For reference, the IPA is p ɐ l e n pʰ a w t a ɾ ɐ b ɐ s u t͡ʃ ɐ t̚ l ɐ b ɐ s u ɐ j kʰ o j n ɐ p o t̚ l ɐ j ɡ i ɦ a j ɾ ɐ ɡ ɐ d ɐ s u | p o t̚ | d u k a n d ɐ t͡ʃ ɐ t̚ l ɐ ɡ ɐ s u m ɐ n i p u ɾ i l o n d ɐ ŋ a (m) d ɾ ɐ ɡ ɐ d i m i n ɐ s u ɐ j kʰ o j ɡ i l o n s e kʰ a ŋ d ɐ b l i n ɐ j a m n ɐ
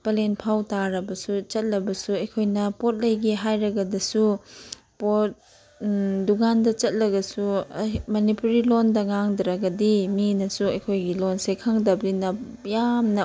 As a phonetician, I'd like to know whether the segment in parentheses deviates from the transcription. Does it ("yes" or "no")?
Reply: yes